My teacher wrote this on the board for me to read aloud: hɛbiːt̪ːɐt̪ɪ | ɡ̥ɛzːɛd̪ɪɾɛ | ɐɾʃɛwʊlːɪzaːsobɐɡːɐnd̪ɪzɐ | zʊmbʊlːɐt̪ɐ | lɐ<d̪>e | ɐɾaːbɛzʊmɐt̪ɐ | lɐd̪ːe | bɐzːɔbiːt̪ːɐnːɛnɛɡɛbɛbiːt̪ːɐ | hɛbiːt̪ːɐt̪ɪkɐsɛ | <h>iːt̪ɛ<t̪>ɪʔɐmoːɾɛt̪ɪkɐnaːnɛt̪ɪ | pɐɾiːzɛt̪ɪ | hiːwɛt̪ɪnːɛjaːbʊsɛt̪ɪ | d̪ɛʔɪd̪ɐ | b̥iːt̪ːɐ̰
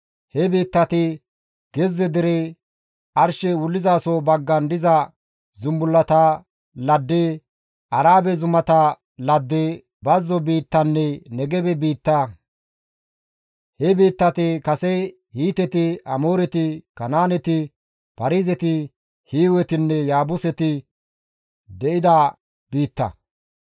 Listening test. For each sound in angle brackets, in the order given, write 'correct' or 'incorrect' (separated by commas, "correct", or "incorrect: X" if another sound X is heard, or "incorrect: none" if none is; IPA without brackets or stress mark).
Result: incorrect: d̪ː, correct, correct